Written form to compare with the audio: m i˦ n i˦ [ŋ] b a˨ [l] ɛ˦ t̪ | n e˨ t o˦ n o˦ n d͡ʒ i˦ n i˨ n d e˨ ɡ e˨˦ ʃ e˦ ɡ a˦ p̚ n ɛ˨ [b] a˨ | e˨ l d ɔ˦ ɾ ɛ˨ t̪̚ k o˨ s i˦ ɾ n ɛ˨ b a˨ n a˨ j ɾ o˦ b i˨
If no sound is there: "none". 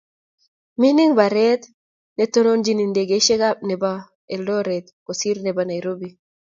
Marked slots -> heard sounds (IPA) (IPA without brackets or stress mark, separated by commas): ŋ, ɾ, b